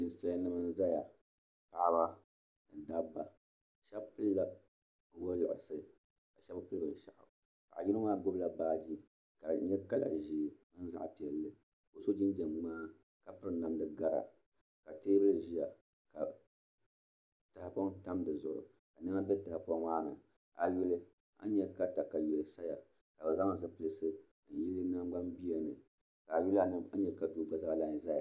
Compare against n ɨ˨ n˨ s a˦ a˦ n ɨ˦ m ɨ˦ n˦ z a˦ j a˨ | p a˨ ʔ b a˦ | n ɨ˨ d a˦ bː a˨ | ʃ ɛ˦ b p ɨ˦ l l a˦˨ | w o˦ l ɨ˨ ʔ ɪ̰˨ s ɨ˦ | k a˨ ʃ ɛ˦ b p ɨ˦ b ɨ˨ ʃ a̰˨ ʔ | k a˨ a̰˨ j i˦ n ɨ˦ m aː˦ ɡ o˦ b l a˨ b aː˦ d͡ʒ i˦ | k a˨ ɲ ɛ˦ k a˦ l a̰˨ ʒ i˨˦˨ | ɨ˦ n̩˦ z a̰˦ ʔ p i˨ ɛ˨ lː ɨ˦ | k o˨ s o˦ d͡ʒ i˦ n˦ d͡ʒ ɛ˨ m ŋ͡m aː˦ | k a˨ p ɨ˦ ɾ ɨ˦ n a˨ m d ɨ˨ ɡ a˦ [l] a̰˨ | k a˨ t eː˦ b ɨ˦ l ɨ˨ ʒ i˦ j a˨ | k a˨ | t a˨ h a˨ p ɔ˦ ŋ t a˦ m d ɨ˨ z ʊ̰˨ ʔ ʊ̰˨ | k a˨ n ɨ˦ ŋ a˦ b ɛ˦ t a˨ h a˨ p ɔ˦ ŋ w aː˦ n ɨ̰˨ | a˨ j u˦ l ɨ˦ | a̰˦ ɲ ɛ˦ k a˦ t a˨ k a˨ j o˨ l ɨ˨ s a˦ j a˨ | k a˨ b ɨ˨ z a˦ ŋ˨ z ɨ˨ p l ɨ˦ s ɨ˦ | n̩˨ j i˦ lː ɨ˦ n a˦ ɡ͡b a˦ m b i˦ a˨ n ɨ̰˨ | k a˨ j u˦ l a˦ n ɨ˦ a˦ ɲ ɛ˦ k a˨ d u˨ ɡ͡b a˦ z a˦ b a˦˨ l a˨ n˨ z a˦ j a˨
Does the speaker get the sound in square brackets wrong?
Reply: yes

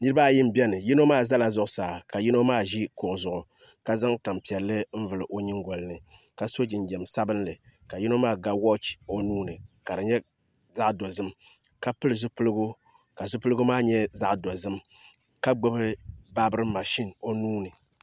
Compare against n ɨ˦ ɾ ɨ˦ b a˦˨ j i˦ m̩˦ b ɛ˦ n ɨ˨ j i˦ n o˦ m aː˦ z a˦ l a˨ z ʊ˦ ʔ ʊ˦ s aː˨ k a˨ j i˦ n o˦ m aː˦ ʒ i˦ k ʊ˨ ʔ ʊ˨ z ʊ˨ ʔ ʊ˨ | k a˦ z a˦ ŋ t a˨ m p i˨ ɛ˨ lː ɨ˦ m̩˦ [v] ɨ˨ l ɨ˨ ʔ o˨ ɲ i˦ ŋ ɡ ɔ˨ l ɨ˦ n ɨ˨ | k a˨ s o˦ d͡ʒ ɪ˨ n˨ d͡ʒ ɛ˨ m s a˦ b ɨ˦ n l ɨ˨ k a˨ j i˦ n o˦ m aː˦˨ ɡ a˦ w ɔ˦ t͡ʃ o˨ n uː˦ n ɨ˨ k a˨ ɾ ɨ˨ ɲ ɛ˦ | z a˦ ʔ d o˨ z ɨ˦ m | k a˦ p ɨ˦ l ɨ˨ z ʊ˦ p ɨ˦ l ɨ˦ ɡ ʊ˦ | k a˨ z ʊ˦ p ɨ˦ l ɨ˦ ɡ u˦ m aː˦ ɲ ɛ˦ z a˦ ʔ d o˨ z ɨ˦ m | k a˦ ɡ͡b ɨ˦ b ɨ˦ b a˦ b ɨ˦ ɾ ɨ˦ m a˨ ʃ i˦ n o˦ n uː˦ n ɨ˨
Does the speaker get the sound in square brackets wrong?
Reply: no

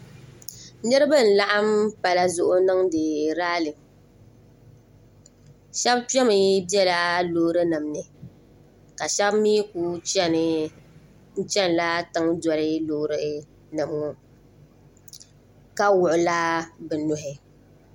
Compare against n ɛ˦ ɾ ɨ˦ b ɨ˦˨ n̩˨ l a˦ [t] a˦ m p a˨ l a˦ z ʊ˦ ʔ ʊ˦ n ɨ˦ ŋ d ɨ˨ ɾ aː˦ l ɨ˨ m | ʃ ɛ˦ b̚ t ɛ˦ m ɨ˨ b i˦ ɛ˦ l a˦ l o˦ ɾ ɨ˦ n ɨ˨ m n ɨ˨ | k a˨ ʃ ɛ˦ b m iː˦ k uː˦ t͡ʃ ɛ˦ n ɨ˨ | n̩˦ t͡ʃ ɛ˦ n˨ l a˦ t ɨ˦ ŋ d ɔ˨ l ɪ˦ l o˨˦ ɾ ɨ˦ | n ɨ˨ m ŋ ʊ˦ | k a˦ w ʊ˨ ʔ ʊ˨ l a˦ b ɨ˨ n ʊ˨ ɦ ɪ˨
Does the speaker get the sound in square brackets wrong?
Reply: yes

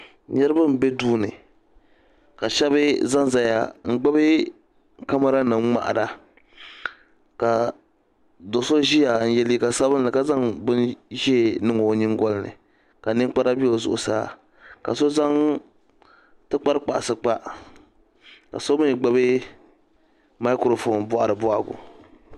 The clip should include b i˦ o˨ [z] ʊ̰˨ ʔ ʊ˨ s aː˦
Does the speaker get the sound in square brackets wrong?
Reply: no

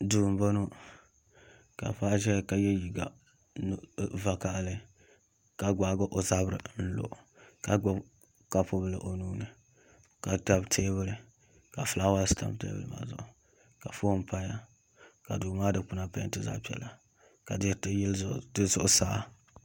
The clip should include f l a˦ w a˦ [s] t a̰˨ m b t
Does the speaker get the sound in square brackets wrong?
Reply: no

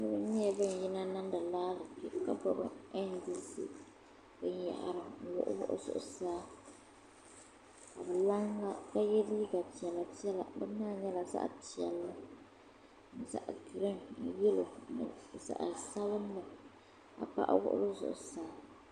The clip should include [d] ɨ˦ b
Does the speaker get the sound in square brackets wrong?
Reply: yes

